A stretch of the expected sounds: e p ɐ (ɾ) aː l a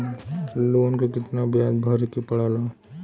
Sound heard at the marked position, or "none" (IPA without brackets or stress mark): ɽ